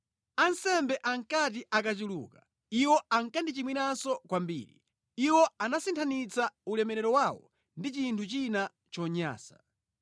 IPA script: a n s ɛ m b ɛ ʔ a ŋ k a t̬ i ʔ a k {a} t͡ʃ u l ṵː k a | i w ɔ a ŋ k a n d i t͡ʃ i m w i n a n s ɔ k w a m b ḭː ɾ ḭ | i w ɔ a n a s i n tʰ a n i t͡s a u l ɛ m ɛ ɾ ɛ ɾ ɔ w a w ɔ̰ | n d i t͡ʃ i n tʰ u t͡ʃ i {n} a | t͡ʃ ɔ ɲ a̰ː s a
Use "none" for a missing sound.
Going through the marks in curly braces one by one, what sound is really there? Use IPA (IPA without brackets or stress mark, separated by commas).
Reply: a, n